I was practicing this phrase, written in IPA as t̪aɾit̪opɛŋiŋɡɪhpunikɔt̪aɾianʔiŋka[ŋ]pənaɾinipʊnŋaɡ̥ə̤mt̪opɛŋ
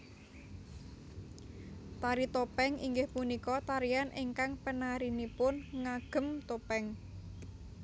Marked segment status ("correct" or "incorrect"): correct